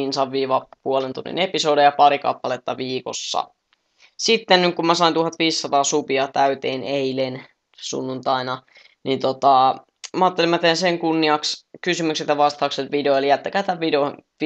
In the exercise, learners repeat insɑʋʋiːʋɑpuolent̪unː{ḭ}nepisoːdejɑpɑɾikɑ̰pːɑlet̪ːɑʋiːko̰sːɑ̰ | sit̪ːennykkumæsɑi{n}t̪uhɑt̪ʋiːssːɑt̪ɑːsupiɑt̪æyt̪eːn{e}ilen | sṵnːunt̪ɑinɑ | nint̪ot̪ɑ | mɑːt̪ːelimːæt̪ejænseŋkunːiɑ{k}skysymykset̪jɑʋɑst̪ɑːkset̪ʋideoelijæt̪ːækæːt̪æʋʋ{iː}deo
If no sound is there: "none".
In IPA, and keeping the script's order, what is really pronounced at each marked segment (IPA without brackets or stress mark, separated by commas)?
ḭ, n, e, k, i